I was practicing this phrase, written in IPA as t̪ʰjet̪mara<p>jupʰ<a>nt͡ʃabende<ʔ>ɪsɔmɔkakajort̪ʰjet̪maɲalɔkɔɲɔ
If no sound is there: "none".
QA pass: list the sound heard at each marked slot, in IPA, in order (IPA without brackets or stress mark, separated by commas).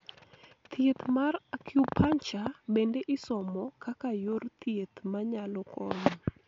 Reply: k, a, ʔ